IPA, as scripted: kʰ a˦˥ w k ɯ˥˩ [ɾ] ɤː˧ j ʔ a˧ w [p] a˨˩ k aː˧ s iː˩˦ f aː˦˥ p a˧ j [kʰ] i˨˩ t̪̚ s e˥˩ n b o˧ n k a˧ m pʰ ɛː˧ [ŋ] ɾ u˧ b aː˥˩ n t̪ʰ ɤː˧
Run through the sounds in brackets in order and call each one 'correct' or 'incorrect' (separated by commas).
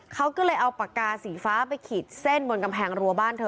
incorrect, correct, correct, correct